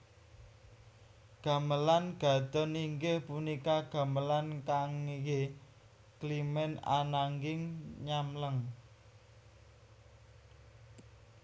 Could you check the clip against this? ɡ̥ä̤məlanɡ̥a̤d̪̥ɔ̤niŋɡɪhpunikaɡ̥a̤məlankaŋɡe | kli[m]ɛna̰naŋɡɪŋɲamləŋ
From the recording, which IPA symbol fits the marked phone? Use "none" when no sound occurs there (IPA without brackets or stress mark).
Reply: m